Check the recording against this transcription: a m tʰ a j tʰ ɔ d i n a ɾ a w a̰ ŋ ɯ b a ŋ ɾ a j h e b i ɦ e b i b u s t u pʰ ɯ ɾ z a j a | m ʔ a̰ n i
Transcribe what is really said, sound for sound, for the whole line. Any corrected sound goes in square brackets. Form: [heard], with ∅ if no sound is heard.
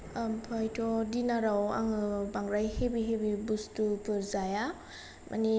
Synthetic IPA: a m [pʰ] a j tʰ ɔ d i n a ɾ a w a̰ ŋ ɯ b a ŋ ɾ a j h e b i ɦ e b i b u s t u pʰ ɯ ɾ z a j a | m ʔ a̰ n i